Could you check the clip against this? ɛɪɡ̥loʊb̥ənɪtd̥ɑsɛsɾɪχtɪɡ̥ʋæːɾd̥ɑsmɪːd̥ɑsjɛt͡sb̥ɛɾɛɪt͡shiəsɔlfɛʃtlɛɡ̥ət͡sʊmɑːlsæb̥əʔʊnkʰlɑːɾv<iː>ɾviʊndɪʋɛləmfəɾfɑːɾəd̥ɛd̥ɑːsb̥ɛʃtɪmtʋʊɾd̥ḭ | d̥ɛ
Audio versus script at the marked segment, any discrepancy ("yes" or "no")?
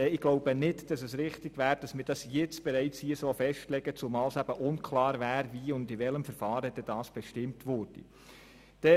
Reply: yes